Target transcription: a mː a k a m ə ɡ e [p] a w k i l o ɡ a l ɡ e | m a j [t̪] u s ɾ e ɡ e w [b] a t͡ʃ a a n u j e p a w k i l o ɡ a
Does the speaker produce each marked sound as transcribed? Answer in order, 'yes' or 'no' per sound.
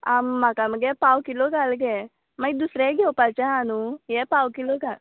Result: yes, no, no

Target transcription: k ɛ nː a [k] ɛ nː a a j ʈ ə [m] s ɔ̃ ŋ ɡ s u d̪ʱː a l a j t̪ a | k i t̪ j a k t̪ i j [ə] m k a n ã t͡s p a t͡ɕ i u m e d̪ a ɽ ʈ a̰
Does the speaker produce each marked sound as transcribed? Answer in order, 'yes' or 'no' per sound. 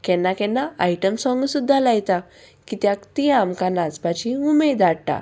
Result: yes, yes, no

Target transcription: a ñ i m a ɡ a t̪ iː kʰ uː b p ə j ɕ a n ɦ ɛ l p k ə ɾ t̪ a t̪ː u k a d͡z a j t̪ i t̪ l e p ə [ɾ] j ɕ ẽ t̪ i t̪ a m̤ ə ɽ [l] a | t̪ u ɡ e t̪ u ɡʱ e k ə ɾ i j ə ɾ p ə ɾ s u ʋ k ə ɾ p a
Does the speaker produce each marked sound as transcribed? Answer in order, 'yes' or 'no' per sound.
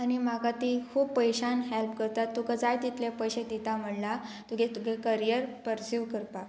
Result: no, yes

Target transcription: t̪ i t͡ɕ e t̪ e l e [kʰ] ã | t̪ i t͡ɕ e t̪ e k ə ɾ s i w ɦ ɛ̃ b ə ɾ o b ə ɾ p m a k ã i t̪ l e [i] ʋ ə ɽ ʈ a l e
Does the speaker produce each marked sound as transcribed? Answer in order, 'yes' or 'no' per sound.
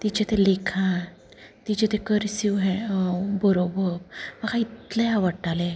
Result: yes, no

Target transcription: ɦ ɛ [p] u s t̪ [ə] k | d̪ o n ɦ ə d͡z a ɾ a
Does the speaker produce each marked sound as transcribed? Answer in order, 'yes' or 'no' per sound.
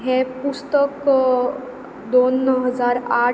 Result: yes, yes

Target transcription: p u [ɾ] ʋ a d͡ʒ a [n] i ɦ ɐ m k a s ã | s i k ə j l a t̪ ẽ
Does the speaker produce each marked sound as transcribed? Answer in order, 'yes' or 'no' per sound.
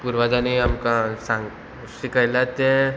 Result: yes, yes

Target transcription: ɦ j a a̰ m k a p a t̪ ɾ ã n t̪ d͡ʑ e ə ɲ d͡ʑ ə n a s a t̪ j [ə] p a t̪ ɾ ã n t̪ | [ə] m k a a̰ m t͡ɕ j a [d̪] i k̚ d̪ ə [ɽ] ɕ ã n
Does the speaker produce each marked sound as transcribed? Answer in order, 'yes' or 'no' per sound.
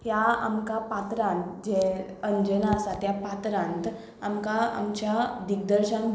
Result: no, no, yes, no

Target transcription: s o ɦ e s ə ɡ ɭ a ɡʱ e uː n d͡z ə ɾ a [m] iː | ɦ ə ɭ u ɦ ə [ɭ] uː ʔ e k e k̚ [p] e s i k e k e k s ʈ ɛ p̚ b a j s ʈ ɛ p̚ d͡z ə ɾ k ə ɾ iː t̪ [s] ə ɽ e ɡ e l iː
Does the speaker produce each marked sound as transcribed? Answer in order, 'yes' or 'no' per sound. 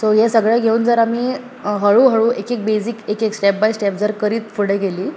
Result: yes, yes, no, no

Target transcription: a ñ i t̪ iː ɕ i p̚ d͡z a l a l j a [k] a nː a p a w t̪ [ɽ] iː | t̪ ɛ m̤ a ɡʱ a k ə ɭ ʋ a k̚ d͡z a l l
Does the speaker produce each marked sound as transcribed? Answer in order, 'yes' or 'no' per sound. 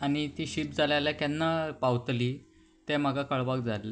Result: yes, no

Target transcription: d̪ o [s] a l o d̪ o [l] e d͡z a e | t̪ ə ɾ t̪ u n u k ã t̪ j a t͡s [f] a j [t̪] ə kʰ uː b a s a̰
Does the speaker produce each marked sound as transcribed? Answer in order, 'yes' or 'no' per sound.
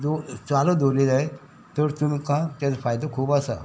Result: no, yes, yes, no

